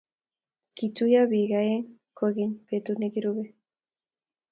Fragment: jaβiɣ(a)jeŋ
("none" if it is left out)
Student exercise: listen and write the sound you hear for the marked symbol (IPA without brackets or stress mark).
a